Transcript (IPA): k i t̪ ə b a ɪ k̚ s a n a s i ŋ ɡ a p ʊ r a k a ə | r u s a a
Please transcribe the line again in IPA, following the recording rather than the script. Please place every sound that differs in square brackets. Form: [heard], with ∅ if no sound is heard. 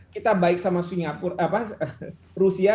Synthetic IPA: k i t̪ [a] b a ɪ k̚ s a [m] a s i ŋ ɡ a p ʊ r a [p] a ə | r u s [i] a